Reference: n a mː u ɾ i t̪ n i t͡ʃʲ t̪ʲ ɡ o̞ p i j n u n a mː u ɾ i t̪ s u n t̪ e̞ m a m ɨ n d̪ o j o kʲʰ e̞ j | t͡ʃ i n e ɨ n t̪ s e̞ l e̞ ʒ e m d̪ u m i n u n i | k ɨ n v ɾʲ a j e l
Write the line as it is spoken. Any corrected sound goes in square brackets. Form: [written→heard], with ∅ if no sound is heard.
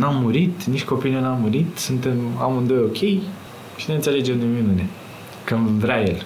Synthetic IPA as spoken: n a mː u ɾ i t̪ n i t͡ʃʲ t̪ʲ [ɡ→k] o̞ p i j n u n a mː u ɾ i t̪ s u n t̪ e̞ m a m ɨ n d̪ o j o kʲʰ e̞ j | t͡ʃ i n e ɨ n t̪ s e̞ l e̞ [ʒ→d͡ʒ] e m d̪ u m i n u n [i→e] | k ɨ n v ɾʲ a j e l